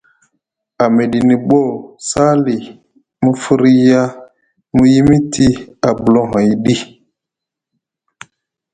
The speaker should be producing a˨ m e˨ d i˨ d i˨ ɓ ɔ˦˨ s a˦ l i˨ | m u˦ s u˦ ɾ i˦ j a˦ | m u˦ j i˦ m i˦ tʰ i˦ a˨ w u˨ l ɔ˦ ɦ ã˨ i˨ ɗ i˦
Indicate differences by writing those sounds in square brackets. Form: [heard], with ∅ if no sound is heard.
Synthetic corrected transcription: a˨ m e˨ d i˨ [n] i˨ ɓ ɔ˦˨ s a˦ l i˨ | m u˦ [f] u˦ ɾ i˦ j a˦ | m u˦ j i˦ m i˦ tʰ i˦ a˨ [b] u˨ l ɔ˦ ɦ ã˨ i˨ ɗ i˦